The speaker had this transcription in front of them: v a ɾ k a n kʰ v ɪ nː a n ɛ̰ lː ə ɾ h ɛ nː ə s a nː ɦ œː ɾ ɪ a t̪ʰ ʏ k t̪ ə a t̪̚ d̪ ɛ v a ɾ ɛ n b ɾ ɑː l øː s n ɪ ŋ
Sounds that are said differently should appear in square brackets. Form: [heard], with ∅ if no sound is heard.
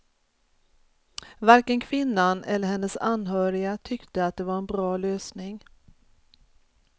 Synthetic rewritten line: v a ɾ k [ə] n kʰ v ɪ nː a n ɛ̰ lː ə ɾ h ɛ nː ə s a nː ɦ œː ɾ ɪ a t̪ʰ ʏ k t̪ ə a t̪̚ d̪ ɛ v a ɾ ɛ n b ɾ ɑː l øː s n ɪ ŋ